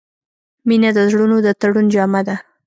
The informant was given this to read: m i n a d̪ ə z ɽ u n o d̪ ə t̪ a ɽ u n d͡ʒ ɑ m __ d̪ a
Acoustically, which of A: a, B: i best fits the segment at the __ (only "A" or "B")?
A